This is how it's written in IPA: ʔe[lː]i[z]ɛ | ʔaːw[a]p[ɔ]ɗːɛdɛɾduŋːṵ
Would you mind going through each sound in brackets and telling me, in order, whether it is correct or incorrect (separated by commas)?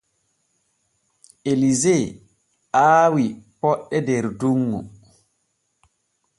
incorrect, correct, incorrect, correct